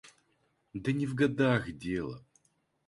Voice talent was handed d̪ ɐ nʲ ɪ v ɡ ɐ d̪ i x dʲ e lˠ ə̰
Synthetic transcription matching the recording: d̪ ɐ nʲ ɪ v ɡ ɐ d̪ a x dʲ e lˠ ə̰